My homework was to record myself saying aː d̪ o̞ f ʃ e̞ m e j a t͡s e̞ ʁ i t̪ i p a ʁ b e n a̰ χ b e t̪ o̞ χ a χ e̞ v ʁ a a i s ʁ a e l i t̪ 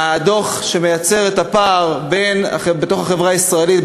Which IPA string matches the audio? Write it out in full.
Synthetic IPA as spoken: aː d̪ o̞ χ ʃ e̞ m e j a t͡s e̞ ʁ e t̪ a p a ʁ b e n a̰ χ b e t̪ o̞ χ a χ e̞ v ʁ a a i s ʁ a e l i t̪